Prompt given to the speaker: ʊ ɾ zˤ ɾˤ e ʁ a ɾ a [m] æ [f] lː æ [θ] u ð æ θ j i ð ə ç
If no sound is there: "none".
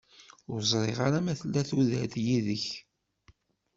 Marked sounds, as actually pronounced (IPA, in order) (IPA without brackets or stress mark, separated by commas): m, θ, θ